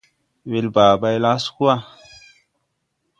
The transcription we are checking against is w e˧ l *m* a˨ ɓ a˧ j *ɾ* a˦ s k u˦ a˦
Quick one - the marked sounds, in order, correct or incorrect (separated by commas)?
incorrect, incorrect